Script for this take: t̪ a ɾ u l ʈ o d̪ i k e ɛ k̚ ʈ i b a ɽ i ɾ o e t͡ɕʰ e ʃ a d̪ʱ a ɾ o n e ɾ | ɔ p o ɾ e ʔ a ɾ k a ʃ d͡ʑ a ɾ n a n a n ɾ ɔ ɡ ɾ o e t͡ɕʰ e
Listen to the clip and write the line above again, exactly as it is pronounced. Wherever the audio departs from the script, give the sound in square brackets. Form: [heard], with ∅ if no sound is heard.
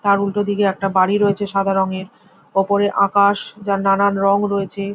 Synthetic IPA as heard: t̪ a ɾ u l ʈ o d̪ i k e ɛ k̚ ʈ [a] b a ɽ i ɾ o e t͡ɕʰ e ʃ a d̪ʱ a ɾ o [ŋ] e ɾ | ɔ p o ɾ e ʔ a [∅] k a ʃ d͡ʑ a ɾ n a n a n ɾ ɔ [ŋ] ɾ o e t͡ɕʰ e